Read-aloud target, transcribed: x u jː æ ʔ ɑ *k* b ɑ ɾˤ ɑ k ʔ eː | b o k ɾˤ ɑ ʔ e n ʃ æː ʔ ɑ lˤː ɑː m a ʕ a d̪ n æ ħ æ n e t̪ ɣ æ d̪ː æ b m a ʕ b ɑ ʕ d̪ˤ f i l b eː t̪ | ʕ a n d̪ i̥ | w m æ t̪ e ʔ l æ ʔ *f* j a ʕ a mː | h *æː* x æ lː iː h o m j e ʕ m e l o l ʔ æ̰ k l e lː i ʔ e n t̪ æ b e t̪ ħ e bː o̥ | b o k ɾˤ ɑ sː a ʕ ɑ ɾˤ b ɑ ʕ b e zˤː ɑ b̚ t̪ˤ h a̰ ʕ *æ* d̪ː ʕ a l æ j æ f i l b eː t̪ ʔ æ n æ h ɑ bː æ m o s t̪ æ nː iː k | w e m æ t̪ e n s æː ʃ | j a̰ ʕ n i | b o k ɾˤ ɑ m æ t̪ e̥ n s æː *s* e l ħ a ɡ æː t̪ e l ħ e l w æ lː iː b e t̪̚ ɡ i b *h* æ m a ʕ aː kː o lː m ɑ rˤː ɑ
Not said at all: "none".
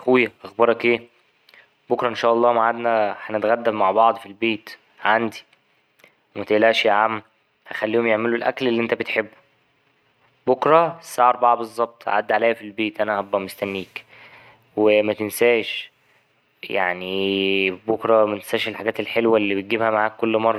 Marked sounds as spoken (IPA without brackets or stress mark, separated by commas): x, ʃ, æ, a, ʃ, h